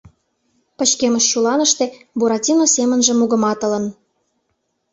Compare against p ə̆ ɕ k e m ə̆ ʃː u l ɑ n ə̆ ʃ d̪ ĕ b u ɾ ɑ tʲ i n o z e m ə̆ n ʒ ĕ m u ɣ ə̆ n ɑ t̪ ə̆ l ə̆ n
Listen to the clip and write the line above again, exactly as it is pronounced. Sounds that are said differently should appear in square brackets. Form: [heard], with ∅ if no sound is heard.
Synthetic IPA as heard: p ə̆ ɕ k e m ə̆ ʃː u l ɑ n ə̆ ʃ [t̪] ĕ b u ɾ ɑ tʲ i n o [s] e m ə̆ n ʒ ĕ m u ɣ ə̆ [m] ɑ t̪ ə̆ l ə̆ n